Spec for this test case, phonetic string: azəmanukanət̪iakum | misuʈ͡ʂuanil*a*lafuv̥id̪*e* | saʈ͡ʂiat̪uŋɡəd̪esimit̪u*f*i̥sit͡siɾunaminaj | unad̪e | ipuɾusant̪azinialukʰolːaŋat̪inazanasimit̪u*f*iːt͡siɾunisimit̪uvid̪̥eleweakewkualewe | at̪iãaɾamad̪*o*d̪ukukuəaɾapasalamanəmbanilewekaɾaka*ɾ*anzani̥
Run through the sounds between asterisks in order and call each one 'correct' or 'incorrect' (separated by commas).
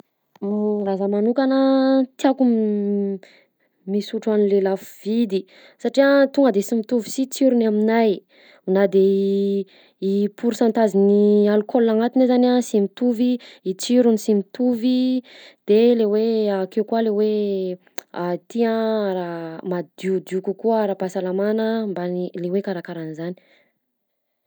incorrect, incorrect, incorrect, incorrect, incorrect, correct